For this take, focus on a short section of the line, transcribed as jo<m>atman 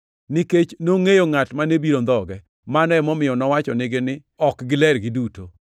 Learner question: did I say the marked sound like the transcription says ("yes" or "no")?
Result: no